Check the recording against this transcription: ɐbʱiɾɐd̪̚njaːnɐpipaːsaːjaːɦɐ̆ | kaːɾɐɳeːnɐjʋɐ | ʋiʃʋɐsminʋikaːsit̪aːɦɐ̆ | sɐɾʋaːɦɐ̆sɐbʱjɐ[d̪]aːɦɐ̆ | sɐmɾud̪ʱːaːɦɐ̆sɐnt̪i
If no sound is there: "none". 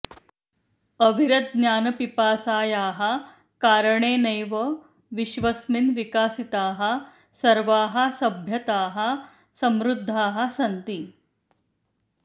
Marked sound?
t̪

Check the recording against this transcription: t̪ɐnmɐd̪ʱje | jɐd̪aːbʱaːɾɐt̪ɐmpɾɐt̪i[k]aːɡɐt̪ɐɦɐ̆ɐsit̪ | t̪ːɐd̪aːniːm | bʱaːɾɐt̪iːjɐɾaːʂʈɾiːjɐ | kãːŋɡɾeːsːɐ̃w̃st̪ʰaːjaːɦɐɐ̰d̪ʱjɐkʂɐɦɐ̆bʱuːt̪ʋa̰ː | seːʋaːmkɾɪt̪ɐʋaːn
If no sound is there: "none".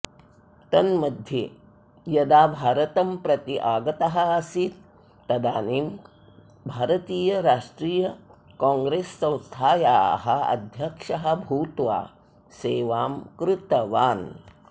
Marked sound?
ʔ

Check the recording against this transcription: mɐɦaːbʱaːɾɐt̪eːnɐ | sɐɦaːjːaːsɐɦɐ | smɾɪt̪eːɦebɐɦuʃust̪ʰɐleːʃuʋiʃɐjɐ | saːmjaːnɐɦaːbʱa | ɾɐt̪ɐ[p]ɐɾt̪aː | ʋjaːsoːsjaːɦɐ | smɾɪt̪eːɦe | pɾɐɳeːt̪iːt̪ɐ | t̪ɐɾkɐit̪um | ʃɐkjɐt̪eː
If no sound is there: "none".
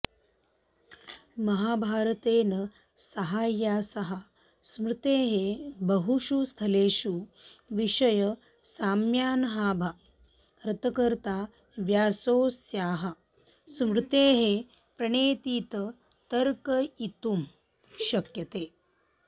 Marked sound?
k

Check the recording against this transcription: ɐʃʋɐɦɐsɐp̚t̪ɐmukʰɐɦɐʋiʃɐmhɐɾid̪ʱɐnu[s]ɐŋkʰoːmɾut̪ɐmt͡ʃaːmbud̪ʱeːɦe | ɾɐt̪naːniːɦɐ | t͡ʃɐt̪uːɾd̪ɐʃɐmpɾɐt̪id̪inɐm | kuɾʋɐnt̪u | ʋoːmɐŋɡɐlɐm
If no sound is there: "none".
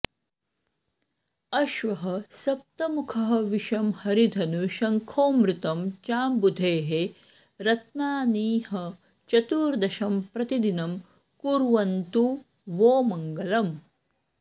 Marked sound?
ʃ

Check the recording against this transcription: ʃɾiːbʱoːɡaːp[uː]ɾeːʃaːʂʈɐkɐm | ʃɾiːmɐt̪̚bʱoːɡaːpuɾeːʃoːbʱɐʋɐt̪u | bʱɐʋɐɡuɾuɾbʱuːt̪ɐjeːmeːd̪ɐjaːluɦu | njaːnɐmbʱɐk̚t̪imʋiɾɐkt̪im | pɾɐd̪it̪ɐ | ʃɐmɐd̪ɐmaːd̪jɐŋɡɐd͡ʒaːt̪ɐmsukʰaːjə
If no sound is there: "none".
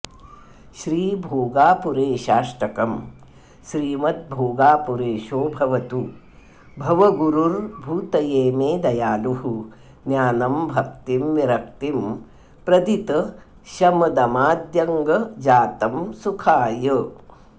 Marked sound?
u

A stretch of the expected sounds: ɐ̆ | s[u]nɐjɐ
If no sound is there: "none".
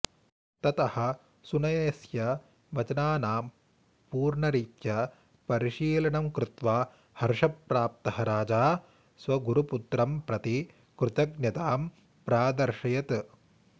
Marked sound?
u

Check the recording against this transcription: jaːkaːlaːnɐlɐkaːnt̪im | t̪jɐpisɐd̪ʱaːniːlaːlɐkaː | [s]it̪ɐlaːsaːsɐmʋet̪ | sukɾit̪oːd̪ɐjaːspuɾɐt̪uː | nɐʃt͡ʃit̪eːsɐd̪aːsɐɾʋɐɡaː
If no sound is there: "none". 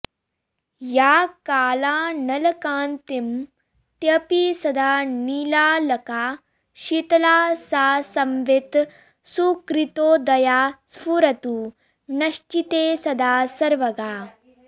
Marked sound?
ʃ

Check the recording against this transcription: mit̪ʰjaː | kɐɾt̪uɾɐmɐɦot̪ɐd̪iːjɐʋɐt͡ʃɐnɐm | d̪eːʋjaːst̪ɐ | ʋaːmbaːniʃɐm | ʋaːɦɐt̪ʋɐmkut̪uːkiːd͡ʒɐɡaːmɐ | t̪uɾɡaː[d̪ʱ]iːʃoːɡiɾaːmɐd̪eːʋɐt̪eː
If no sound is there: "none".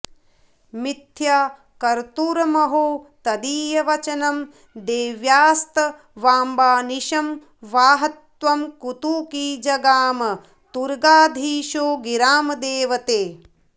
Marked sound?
d̪ʱ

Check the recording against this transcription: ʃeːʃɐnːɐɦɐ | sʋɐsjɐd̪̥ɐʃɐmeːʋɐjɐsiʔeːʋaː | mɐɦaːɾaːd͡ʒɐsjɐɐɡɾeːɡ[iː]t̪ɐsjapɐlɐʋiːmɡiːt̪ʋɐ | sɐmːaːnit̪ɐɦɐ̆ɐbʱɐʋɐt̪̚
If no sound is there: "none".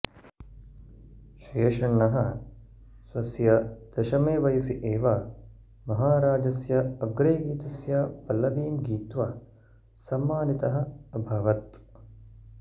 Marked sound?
iː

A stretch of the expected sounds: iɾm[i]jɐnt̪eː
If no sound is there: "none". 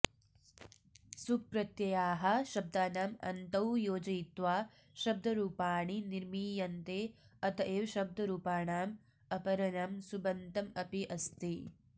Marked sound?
iː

